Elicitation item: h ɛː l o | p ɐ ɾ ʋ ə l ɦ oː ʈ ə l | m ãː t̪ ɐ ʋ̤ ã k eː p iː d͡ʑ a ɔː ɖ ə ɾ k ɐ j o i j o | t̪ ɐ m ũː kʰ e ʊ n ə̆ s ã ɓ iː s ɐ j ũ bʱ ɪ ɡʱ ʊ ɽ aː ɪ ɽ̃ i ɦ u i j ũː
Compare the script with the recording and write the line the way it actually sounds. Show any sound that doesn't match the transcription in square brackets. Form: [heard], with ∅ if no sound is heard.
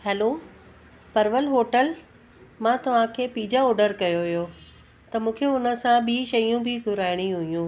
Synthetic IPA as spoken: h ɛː l o | p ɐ ɾ ʋ ə l ɦ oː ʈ ə l | m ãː t̪ ɐ ʋ̤ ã [kʰ] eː p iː d͡ʑ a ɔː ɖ ə ɾ k ɐ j o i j o | t̪ ɐ m ũː kʰ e ʊ n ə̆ s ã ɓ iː [ʃ] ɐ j ũ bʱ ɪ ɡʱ ʊ [ɾ] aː ɪ ɽ̃ i ɦ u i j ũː